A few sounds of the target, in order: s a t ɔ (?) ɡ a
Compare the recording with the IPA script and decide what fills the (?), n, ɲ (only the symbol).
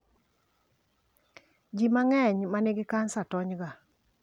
ɲ